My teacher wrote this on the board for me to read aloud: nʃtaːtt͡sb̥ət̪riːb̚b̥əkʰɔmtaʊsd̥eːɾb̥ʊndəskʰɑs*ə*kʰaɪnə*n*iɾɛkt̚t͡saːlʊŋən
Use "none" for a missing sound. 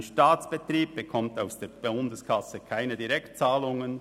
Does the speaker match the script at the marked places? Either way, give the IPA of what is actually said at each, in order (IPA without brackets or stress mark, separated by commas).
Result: ə, d